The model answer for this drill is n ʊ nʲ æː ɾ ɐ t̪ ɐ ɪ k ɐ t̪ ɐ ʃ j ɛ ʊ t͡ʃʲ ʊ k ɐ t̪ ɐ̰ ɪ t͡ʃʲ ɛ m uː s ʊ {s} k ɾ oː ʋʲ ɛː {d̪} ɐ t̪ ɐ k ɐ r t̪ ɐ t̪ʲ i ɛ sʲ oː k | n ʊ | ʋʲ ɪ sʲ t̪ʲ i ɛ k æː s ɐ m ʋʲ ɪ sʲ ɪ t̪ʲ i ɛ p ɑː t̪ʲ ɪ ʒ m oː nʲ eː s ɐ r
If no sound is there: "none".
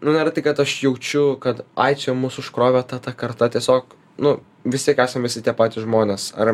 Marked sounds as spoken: ʃ, t̪

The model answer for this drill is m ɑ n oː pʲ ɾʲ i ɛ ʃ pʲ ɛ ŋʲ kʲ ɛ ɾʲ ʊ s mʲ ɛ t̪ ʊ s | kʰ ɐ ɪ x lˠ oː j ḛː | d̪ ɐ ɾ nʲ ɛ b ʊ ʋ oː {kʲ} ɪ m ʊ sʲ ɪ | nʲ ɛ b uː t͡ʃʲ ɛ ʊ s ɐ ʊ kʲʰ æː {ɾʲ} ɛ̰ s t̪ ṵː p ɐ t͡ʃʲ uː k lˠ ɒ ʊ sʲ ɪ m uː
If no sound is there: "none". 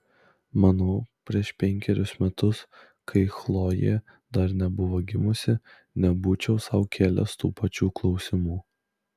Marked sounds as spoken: ɡʲ, lʲ

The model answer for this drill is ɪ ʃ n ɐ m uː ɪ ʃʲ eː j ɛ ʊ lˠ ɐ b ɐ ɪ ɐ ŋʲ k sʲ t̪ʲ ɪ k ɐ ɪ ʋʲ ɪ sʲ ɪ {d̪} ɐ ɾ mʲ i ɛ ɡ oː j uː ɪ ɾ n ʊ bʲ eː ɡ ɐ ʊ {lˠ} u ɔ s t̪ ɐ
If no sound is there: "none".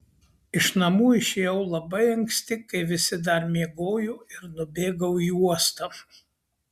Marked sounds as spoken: d̪, none

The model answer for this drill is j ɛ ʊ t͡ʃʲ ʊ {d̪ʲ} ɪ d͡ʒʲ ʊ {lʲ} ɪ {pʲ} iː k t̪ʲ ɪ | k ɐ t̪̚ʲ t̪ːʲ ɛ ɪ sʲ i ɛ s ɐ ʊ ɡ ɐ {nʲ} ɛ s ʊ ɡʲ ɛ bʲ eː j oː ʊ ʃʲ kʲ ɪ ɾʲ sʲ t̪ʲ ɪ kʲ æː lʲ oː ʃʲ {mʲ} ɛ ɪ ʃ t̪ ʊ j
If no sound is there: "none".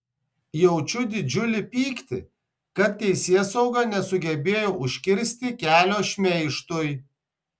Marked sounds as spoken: d̪ʲ, lʲ, pʲ, nʲ, mʲ

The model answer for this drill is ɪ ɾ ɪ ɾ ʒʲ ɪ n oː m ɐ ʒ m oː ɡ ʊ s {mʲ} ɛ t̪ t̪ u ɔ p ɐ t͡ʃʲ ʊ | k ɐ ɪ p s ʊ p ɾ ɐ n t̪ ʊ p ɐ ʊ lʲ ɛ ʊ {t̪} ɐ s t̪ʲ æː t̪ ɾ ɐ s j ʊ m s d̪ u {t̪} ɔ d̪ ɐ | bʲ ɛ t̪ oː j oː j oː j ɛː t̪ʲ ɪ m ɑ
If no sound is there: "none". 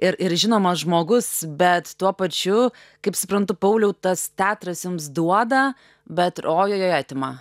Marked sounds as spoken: bʲ, t̪, none

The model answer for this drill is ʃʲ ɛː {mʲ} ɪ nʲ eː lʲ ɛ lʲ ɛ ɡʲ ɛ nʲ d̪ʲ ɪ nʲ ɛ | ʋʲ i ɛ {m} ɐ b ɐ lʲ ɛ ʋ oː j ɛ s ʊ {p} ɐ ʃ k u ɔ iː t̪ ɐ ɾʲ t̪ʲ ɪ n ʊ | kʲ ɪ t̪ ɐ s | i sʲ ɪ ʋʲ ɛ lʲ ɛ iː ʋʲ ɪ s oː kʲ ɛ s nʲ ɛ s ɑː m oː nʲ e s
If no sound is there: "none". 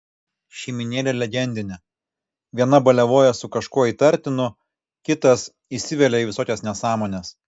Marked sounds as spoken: mʲ, n, k

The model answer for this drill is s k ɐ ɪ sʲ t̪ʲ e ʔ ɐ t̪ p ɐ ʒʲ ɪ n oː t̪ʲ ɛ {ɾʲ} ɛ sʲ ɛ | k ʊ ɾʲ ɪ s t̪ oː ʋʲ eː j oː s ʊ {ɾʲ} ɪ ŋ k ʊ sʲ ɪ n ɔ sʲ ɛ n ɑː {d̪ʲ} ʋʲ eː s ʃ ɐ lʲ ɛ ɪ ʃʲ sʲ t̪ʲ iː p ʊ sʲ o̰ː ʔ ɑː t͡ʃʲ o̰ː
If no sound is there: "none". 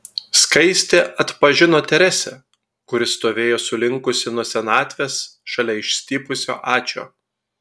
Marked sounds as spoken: ɾʲ, lʲ, t̪ʲ

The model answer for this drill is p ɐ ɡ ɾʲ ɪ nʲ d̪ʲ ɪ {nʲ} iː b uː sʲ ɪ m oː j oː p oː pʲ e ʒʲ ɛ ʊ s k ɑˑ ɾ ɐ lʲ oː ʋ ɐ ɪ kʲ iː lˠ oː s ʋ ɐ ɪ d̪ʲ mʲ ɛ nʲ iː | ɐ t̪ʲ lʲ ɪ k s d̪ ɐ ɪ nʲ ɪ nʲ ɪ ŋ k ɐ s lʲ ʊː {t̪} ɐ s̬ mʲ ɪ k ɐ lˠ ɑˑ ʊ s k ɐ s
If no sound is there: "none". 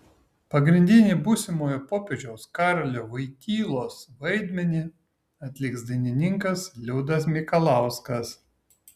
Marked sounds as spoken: nʲ, d̪

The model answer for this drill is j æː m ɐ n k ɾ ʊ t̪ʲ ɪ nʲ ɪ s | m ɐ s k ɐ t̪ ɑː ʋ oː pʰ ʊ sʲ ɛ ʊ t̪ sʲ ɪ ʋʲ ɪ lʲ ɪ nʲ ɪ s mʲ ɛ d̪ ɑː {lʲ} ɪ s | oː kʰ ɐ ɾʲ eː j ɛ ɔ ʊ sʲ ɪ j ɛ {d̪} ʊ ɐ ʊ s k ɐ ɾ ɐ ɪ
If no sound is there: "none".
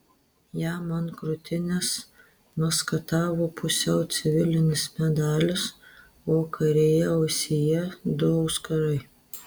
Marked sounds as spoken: lʲ, d̪

